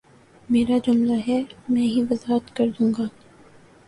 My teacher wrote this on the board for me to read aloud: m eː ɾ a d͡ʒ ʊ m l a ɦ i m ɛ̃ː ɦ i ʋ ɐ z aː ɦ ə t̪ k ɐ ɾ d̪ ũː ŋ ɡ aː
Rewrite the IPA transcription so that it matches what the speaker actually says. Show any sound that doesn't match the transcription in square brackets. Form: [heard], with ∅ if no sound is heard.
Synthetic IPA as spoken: m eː ɾ a d͡ʒ ʊ m l a ɦ [ɛ] m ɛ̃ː ɦ i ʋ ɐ z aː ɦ ə t̪ k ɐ ɾ d̪ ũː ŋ ɡ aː